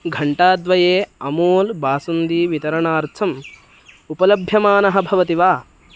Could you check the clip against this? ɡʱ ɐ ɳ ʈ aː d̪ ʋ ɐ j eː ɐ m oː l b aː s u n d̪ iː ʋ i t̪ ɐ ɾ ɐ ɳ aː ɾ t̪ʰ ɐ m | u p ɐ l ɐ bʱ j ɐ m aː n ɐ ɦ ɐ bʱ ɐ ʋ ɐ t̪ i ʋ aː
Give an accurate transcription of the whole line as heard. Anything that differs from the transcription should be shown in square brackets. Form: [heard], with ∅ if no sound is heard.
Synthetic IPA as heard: ɡʱ ɐ ɳ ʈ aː d̪ ʋ ɐ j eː ɐ m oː l b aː s u n d̪ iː ʋ i t̪ ɐ ɾ ɐ ɳ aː ɾ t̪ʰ ɐ m | u p ɐ l ɐ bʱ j ɐ m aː n ɐ ɦ ɐ bʱ ɐ ʋ ɐ t̪ i ʋ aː